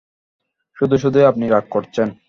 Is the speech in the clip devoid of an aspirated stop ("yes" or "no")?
no